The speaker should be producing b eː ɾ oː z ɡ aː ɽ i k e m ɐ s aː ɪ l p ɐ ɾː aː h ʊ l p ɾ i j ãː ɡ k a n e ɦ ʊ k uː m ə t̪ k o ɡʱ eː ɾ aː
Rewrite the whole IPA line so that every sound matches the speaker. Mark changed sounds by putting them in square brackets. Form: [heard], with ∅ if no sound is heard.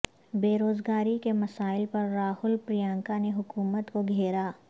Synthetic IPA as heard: b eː ɾ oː z ɡ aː [ɾ] i k e m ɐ s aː ɪ l p ɐ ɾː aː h ʊ l p ɾ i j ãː [ŋ] k a n e ɦ ʊ k uː m ə t̪ k o ɡʱ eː ɾ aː